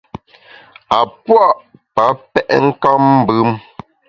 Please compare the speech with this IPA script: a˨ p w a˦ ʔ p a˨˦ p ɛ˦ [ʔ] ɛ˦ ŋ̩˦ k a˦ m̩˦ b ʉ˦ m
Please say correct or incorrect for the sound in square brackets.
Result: correct